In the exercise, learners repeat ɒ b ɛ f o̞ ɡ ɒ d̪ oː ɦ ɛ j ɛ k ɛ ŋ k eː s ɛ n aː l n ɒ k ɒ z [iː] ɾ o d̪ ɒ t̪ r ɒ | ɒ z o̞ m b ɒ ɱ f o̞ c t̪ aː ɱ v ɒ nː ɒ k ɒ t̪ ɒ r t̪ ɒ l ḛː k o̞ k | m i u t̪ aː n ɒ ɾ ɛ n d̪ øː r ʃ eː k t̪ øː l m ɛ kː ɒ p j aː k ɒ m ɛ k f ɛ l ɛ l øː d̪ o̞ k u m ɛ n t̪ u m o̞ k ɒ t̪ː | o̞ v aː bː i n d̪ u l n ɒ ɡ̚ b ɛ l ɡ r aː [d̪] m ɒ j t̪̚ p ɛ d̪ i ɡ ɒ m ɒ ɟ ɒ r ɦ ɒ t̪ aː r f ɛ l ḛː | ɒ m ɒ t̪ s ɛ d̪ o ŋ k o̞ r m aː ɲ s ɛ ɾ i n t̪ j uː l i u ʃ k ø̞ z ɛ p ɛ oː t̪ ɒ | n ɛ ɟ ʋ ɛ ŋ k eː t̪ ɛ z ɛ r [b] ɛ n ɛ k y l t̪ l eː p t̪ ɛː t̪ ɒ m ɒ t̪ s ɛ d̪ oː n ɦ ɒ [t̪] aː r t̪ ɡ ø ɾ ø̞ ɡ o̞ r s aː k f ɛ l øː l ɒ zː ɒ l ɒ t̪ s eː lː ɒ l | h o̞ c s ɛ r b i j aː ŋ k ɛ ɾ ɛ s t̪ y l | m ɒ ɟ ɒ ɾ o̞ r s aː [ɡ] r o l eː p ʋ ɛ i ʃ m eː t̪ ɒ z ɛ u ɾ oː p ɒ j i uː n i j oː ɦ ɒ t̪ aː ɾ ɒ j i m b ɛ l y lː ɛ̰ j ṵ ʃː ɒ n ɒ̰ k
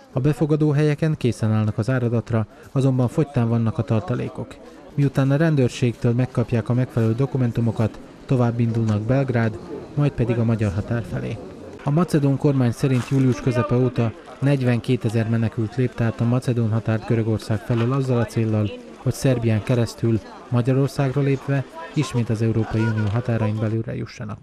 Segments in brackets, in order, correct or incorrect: incorrect, correct, incorrect, correct, correct

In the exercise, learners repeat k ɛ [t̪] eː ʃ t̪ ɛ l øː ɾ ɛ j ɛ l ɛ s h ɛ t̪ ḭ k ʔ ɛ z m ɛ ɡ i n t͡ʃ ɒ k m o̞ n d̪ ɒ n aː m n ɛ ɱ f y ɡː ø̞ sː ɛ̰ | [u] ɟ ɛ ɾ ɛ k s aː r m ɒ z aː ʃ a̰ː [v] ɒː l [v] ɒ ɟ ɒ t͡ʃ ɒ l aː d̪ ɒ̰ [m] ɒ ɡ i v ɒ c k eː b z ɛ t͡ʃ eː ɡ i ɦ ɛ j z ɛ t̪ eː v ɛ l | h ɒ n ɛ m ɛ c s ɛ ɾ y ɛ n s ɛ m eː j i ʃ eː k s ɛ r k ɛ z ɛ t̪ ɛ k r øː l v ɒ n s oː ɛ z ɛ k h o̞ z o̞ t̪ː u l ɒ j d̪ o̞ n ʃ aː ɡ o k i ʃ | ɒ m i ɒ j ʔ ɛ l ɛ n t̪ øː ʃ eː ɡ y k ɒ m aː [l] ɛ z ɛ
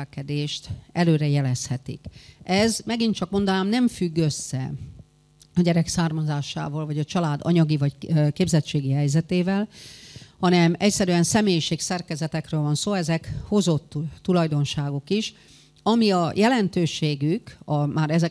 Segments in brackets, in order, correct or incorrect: incorrect, incorrect, correct, correct, incorrect, incorrect

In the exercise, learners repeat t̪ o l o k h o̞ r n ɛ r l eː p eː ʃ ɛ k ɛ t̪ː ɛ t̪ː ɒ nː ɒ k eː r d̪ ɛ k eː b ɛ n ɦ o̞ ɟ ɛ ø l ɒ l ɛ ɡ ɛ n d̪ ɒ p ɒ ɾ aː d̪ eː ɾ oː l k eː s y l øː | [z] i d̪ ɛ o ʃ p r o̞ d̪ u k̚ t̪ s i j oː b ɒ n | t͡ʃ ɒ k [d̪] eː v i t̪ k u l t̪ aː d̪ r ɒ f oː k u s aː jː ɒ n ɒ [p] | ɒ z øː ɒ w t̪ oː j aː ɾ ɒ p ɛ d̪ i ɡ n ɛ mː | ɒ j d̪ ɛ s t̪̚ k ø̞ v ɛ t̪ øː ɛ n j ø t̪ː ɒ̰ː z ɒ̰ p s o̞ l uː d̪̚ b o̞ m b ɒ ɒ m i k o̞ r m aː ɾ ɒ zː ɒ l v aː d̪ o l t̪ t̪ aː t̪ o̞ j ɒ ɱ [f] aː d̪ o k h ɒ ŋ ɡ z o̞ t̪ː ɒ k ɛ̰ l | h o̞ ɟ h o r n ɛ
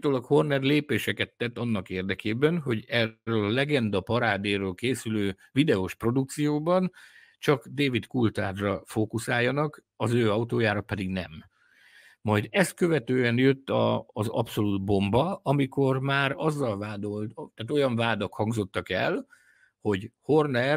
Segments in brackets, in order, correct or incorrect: incorrect, correct, incorrect, incorrect

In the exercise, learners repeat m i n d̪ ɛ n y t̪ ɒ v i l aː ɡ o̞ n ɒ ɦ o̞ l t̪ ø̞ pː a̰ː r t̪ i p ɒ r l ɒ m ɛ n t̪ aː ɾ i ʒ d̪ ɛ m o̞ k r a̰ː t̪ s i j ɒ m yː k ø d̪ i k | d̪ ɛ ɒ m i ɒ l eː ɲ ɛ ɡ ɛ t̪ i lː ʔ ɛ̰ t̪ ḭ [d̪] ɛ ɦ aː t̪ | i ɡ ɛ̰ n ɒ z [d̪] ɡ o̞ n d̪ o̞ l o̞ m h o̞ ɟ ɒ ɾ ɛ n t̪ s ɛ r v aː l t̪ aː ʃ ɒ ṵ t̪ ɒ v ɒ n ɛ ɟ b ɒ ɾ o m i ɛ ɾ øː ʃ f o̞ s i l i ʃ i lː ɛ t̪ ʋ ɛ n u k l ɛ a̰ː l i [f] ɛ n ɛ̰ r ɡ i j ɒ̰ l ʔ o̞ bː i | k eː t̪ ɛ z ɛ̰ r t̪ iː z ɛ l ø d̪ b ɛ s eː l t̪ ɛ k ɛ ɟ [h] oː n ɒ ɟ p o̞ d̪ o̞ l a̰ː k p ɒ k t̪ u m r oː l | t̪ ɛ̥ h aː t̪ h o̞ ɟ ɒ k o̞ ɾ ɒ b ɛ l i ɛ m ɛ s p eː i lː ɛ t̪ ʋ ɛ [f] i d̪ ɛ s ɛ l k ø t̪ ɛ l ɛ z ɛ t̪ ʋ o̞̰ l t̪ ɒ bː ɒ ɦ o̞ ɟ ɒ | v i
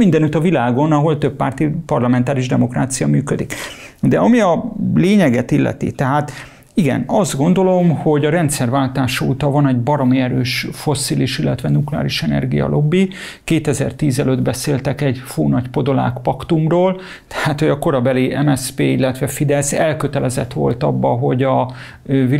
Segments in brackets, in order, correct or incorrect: incorrect, correct, incorrect, incorrect, correct

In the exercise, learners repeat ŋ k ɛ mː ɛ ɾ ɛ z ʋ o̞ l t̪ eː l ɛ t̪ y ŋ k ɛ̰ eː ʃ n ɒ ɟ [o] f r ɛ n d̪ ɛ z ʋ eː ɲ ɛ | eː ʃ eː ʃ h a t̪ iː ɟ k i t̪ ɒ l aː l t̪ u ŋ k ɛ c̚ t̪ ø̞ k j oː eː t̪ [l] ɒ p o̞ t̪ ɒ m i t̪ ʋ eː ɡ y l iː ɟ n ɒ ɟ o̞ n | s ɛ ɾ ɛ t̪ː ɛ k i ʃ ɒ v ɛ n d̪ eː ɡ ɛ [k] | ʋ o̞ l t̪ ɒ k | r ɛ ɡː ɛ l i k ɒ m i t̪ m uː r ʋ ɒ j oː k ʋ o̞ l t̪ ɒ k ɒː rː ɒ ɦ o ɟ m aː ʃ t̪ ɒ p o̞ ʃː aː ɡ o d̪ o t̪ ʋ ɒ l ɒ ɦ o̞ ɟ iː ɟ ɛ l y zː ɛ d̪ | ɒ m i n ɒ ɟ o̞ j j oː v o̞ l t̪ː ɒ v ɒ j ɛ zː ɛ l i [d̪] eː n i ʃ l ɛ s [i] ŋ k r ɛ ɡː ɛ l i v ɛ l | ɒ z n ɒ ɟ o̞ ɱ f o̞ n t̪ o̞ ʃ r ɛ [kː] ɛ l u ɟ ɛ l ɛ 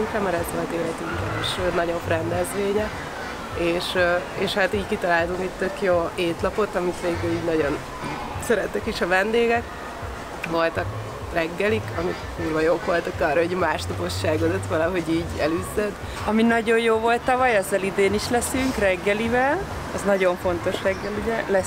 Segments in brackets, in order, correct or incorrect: correct, correct, correct, correct, incorrect, incorrect

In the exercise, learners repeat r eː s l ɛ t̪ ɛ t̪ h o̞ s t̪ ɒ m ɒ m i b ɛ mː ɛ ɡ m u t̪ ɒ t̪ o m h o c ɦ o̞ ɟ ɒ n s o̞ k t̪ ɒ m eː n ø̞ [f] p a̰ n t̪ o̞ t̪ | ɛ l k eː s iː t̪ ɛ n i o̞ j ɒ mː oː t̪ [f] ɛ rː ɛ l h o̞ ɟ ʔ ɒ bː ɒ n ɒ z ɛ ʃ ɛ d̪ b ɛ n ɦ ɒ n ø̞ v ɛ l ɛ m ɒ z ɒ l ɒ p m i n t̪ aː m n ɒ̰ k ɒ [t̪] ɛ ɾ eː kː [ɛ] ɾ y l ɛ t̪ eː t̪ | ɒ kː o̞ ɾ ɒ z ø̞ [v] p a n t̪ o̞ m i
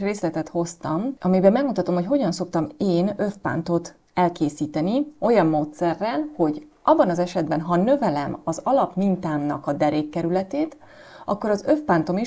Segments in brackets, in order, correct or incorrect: correct, incorrect, incorrect, correct, incorrect

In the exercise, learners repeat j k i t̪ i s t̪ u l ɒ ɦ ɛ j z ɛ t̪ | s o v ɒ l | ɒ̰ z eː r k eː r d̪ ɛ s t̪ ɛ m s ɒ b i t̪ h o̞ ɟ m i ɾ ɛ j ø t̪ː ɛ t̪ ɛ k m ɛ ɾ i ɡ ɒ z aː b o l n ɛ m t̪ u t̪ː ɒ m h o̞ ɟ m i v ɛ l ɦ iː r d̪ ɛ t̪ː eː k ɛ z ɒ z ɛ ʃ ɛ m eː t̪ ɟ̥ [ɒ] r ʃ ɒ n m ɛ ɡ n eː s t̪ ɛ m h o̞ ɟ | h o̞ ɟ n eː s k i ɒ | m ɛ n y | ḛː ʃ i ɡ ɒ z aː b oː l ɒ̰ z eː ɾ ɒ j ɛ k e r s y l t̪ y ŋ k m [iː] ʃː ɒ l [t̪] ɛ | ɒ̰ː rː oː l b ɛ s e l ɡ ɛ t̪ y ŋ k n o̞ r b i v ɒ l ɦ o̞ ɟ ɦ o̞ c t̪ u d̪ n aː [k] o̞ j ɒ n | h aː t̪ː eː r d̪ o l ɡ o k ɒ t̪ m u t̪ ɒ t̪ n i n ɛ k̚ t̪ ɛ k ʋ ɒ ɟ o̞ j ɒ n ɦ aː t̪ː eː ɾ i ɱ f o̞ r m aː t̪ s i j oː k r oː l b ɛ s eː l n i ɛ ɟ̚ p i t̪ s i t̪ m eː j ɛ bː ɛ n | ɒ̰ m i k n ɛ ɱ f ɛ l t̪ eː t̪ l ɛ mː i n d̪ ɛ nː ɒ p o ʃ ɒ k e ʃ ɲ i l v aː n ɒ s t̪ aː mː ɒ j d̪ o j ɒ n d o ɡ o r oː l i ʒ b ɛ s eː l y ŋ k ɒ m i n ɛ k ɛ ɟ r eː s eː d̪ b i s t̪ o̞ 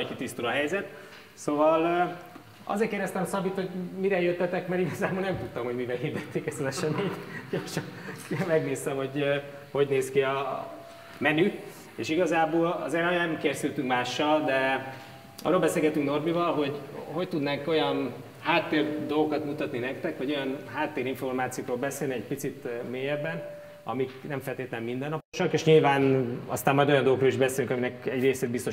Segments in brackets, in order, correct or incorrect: incorrect, incorrect, incorrect, correct

